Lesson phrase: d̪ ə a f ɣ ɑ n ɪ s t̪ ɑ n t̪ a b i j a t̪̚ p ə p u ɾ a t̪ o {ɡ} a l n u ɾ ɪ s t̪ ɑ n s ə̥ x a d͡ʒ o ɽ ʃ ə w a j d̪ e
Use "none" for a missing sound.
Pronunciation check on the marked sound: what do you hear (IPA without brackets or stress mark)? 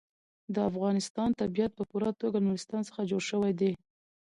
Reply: ɡ